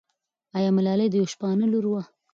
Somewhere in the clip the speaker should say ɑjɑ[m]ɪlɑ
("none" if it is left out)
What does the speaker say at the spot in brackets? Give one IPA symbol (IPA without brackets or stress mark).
m